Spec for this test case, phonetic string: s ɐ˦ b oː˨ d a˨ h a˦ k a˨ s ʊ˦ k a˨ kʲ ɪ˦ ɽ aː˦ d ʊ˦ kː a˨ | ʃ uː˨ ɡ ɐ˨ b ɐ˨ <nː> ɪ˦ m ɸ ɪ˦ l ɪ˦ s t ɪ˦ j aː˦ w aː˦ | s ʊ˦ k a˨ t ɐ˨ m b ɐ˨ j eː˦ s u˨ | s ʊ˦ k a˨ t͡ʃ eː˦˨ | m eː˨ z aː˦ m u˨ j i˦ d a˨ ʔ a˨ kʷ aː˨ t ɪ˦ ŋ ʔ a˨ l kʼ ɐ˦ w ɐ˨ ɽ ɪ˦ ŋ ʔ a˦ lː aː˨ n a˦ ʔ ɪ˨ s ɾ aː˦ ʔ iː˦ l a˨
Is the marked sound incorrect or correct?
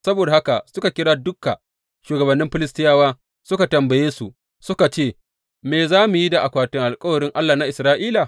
correct